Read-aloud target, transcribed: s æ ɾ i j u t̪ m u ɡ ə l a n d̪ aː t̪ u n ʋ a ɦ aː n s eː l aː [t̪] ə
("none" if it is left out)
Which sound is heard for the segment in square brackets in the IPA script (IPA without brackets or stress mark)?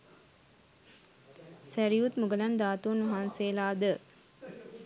d̪